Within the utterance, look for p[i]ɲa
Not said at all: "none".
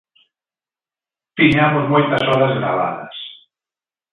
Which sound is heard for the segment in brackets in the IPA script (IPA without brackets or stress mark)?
i